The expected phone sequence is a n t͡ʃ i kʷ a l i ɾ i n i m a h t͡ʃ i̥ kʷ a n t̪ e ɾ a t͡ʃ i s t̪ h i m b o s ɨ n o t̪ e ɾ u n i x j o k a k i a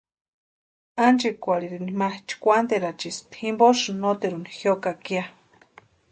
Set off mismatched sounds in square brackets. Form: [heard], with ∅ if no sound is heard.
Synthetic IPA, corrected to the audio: a n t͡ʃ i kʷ a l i ɾ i n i m a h t͡ʃ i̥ kʷ a n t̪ e ɾ a t͡ʃ i s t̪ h i m b o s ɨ n o t̪ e ɾ u n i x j o k a k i a